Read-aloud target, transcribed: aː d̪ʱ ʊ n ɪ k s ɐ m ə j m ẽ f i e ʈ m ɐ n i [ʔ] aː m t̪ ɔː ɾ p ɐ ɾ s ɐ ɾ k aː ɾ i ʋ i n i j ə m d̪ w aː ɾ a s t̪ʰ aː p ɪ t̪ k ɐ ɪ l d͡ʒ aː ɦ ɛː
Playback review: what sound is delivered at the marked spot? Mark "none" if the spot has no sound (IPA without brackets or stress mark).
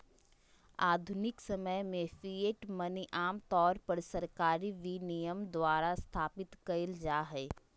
ʔ